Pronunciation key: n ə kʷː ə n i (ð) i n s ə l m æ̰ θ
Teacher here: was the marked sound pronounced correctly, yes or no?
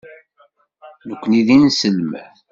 yes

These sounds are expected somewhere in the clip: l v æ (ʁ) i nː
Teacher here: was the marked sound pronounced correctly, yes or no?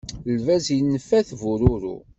no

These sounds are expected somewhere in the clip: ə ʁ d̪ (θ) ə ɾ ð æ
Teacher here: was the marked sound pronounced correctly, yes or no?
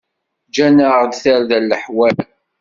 yes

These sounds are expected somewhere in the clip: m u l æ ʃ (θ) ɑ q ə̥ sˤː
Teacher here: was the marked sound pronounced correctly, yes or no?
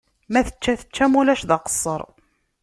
no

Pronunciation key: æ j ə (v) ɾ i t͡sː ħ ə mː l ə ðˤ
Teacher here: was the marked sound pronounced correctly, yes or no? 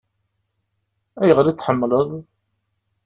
no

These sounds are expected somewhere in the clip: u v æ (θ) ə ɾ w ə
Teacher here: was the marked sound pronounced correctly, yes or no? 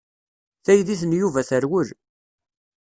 yes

